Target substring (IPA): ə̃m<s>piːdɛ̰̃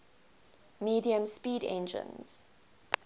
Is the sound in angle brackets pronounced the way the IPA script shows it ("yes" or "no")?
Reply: yes